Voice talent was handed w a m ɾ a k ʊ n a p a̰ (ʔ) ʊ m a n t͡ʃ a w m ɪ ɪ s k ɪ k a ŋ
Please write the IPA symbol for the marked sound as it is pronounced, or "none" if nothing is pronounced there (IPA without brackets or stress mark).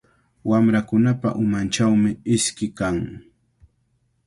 ʔ